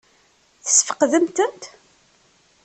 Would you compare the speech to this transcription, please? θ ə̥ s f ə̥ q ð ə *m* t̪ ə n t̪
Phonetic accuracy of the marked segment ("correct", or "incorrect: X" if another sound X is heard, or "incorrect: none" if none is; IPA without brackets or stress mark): correct